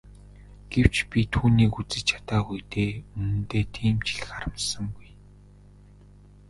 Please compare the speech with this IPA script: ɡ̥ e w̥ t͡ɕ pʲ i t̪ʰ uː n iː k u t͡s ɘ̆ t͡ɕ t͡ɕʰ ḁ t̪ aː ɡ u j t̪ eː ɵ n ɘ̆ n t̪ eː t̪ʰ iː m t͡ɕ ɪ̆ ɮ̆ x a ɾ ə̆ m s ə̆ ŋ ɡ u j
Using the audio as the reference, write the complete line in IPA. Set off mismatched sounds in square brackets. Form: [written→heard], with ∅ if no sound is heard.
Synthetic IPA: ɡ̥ e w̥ t͡ɕ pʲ i t̪ʰ uː n iː k u t͡s ɘ̆ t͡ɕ t͡ɕʰ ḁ t̪ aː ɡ u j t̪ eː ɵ n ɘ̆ n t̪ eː t̪ʰ iː m t͡ɕ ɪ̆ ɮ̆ x a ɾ ə̆ m s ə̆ ŋ ɡ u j